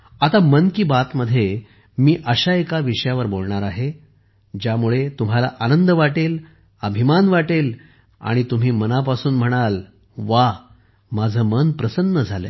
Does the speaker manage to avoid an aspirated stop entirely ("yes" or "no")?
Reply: yes